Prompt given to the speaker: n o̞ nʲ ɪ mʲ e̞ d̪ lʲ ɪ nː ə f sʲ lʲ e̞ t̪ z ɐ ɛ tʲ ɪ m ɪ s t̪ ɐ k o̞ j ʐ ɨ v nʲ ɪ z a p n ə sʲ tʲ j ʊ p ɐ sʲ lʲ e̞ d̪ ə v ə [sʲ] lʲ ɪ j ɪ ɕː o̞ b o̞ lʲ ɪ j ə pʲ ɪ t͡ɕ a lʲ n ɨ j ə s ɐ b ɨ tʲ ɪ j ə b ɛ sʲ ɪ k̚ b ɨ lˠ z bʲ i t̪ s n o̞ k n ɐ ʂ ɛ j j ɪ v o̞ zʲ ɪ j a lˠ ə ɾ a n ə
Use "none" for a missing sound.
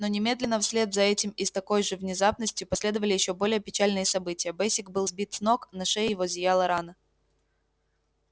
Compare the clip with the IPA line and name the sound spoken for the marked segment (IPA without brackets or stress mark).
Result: none